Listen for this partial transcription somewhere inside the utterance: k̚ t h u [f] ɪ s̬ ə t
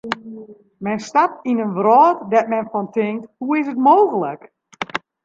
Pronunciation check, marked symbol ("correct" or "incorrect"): incorrect